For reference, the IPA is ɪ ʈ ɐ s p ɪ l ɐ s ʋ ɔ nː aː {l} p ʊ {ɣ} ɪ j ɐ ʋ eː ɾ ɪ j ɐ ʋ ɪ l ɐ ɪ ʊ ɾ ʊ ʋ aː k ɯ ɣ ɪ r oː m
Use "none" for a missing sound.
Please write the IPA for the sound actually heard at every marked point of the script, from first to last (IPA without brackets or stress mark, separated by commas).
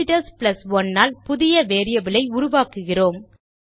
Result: l, ð